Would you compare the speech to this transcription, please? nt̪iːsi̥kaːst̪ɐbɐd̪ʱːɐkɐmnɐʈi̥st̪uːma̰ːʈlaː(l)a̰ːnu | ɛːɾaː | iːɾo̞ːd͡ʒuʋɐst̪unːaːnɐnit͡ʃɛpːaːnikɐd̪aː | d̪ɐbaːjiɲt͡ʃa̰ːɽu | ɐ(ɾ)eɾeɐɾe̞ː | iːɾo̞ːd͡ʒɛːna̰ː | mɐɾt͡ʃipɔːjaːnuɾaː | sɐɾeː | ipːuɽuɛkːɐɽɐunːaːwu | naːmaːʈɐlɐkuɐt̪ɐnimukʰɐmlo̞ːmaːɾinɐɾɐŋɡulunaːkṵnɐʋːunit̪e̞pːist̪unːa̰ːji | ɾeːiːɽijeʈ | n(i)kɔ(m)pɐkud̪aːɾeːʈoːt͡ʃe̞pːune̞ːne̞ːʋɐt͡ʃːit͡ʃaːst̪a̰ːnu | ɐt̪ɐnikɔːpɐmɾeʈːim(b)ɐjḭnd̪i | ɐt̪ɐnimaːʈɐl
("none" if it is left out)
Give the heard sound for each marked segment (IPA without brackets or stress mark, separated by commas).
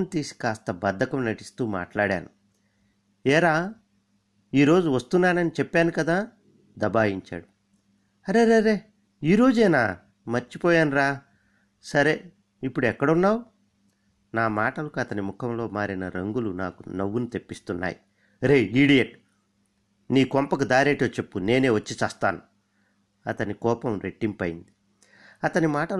ɽ, ɾ, iː, m, p